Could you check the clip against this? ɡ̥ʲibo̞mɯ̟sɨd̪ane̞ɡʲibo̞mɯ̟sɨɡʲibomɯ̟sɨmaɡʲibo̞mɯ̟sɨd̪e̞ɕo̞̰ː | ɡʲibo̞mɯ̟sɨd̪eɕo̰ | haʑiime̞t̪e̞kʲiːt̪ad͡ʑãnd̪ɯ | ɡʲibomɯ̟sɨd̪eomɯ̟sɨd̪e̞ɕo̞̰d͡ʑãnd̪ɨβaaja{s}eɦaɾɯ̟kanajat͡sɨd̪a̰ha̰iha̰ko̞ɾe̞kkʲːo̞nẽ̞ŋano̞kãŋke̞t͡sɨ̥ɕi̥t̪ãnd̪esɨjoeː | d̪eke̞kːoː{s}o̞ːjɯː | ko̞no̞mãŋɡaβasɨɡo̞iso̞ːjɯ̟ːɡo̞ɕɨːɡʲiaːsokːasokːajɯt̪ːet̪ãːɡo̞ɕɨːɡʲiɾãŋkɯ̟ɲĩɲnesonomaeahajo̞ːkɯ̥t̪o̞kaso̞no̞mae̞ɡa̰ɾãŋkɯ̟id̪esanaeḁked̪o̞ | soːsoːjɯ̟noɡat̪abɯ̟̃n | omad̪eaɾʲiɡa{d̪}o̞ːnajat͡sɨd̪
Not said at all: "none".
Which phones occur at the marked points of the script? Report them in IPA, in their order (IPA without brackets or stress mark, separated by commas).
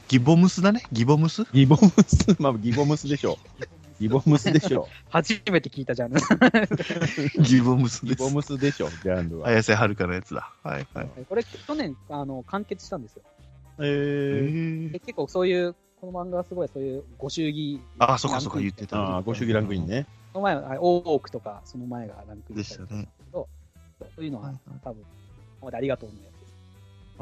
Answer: s, s, t̪